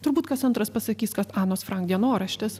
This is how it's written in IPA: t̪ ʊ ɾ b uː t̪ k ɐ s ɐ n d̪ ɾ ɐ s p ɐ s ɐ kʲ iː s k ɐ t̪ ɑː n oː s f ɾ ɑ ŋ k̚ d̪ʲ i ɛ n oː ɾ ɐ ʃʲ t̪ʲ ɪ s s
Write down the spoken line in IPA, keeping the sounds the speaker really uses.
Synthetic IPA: t̪ ʊ ɾ b uː t̪ k ɐ s ɐ n t̪ ɾ ɐ s p ɐ s ɐ kʲ iː s k ɐ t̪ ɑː n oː s f ɾ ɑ ŋ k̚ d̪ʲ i ɛ n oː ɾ ɐ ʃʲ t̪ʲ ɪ s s

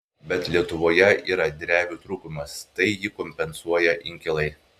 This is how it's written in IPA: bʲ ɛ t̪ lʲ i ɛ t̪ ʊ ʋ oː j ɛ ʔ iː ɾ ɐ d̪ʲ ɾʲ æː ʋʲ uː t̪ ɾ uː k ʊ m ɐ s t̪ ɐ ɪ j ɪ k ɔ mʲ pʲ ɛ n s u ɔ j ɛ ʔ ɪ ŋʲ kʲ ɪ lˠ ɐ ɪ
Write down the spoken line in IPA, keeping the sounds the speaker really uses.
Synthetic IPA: bʲ ɛ t̪ lʲ i ɛ t̪ ʊ ʋ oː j ɛ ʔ iː ɾ ɐ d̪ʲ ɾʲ æː ʋʲ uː t̪ ɾ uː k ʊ m ɐ s t̪ ɐ ɪ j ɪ k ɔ mʲ pʲ ɛ n s u ɔ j ɛ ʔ ɪ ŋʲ kʲ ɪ lˠ ɐ ɪ

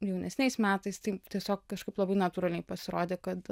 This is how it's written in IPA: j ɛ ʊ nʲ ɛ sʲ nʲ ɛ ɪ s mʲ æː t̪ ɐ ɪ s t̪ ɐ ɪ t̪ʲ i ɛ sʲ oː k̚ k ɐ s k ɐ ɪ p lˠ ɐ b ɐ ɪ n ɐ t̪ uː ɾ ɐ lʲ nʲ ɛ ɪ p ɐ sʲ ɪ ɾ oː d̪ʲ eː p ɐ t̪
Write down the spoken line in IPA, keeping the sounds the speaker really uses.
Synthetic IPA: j ɛ ʊ nʲ ɛ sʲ nʲ ɛ ɪ s mʲ æː t̪ ɐ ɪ s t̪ ɐ ɪ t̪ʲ i ɛ sʲ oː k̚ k ɐ ʃ k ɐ ɪ p lˠ ɐ b ɐ ɪ n ɐ t̪ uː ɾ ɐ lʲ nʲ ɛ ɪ p ɐ sʲ ɪ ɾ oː d̪ʲ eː k ɐ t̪

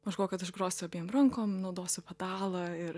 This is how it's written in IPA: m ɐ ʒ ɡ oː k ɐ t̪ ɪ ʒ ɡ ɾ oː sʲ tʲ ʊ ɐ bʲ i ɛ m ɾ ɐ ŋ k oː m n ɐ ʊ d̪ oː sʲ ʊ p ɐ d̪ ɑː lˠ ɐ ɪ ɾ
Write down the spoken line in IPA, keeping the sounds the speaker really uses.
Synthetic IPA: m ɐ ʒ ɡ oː k ɐ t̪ ɪ ʒ ɡ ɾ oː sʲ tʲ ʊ ɐ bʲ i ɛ m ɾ ɐ ŋ k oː m n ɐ ʊ d̪ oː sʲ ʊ p ɐ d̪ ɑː lˠ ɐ ɪ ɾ

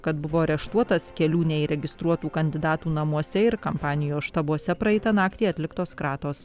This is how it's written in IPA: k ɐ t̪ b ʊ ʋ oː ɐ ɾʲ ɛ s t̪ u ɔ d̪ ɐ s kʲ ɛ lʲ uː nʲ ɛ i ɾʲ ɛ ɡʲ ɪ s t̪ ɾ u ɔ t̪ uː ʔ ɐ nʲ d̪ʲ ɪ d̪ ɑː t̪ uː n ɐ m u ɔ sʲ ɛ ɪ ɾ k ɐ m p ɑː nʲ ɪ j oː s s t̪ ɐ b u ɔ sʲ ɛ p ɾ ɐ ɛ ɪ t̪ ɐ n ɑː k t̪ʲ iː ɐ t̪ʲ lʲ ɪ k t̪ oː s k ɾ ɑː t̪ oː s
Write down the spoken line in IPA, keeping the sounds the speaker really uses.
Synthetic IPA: k ɐ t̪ b ʊ ʋ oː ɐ ɾʲ ɛ ʃ t̪ u ɔ t̪ ɐ s kʲ ɛ lʲ uː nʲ ɛ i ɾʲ ɛ ɡʲ ɪ s t̪ ɾ u ɔ t̪ uː k ɐ nʲ d̪ʲ ɪ d̪ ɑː t̪ uː n ɐ m u ɔ sʲ ɛ ɪ ɾ k ɐ m p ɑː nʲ ɪ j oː s ʃ t̪ ɐ b u ɔ sʲ ɛ p ɾ ɐ ɛ ɪ t̪ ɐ n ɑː k t̪ʲ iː ɐ t̪ʲ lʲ ɪ k t̪ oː s k ɾ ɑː t̪ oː s

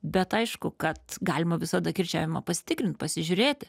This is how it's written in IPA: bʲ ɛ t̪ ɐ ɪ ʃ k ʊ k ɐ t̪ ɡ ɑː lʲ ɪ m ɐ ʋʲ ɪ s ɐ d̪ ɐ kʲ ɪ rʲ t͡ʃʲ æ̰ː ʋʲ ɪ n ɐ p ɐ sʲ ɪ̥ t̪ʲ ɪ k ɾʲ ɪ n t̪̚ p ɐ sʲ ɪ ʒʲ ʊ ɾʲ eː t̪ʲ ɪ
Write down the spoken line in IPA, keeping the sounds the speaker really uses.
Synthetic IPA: bʲ ɛ t̪ ɐ ɪ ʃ k ʊ k ɐ t̪ ɡ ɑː lʲ ɪ m ɐ ʋʲ ɪ s ɐ d̪ ɐ kʲ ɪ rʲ t͡ʃʲ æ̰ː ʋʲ ɪ m ɐ p ɐ sʲ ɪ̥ t̪ʲ ɪ k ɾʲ ɪ n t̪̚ p ɐ sʲ ɪ ʒʲ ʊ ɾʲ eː t̪ʲ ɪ

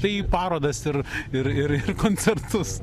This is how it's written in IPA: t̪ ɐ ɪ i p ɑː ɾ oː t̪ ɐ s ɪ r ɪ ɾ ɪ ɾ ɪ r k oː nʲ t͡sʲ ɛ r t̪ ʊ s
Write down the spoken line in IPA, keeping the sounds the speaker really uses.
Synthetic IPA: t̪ ɐ ɪ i p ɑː ɾ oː d̪ ɐ s ɪ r ɪ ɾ ɪ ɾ ɪ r k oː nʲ t͡sʲ ɛ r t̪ ʊ s

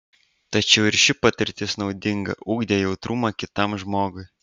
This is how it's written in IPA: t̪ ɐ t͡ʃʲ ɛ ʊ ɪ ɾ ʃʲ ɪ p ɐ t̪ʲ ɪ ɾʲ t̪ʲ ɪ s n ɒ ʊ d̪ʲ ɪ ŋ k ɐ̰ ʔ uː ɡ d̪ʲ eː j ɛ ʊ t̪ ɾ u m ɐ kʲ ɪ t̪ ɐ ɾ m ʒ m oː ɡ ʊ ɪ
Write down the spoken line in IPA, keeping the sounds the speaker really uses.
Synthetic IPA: t̪ ɐ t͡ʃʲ ɛ ʊ ɪ ɾ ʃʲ ɪ p ɐ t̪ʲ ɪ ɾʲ t̪ʲ ɪ s n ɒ ʊ d̪ʲ ɪ ŋ ɡ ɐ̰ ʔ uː ɡ d̪ʲ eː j ɛ ʊ t̪ ɾ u m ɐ kʲ ɪ t̪ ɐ m ʒ m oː ɡ ʊ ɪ

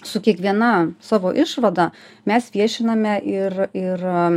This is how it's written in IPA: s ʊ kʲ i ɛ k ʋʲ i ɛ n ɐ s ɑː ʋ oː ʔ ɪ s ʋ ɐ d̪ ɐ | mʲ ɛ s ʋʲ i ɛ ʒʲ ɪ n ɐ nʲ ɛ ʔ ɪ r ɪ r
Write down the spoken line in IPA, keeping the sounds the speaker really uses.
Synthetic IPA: s ʊ kʲ i ɛ k ʋʲ i ɛ n ɐ s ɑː ʋ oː ʔ ɪ ʃ ʋ ɐ d̪ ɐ | mʲ ɛ s ʋʲ i ɛ ʃʲ ɪ n ɐ mʲ ɛ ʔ ɪ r ɪ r

